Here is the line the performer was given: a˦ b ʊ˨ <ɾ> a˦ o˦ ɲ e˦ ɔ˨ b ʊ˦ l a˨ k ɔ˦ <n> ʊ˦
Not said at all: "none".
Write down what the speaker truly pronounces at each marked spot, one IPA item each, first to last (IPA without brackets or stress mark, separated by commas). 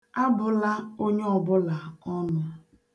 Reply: l, n